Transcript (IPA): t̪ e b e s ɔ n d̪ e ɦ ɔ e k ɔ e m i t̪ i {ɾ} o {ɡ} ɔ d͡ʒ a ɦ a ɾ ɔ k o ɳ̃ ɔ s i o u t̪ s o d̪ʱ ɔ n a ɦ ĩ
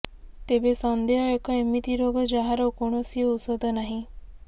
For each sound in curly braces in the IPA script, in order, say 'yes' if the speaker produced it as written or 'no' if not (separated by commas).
yes, yes